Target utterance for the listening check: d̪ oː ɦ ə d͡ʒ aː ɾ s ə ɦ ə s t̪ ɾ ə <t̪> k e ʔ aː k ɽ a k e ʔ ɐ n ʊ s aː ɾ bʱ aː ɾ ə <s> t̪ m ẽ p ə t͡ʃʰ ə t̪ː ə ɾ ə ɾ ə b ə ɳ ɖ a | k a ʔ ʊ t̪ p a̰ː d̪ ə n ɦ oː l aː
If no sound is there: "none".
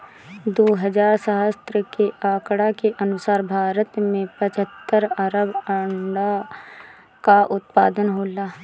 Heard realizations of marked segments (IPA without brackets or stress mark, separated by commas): none, none